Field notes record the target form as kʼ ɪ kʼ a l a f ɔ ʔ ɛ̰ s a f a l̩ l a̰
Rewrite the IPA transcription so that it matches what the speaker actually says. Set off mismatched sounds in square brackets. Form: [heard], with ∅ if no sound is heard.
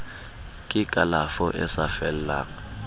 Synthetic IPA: kʼ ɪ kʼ a l a f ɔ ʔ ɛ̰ s a f [ɛ] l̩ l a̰